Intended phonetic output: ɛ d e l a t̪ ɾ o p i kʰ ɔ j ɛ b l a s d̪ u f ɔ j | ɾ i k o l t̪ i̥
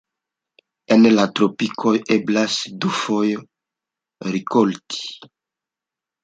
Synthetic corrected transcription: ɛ n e l a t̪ ɾ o p i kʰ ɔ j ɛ b l a s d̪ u f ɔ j | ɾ i k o l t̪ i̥